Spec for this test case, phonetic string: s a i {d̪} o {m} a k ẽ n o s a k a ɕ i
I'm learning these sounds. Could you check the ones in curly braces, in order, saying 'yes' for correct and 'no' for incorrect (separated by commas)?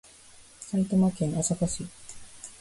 no, yes